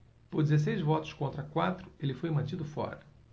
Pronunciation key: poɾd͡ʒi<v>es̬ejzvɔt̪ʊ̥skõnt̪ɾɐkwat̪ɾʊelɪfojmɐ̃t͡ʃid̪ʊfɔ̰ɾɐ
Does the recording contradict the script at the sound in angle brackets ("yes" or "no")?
yes